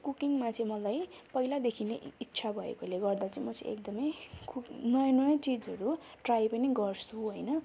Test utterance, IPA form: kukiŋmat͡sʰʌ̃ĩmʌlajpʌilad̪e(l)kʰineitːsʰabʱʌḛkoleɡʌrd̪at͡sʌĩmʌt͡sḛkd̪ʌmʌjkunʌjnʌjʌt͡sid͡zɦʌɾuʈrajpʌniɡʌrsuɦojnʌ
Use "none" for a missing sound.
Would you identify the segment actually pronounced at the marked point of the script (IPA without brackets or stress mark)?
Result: none